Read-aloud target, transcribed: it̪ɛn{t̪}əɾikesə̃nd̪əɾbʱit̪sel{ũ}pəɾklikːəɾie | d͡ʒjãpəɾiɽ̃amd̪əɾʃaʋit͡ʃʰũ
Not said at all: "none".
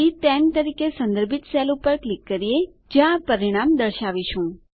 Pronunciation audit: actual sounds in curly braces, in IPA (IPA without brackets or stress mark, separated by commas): t̪, u